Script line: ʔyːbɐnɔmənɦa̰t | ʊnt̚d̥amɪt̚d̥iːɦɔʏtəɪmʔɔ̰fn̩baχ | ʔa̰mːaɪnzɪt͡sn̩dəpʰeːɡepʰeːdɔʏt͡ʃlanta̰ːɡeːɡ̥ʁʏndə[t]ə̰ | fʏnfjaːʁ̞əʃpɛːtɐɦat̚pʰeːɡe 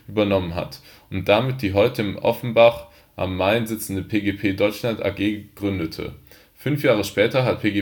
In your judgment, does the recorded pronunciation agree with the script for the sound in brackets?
no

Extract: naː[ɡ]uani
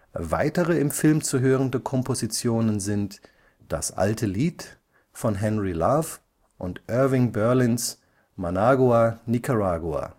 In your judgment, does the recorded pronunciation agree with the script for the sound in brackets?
yes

